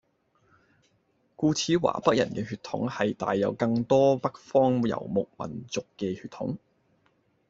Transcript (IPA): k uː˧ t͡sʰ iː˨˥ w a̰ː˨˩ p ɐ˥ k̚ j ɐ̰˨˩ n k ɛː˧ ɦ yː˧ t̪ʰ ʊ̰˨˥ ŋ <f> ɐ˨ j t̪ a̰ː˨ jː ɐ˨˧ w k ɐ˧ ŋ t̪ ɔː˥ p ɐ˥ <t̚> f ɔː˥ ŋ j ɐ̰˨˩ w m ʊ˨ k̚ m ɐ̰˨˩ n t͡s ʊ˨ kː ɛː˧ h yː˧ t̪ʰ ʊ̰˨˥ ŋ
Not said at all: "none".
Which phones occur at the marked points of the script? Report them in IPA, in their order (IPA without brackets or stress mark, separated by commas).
h, k̚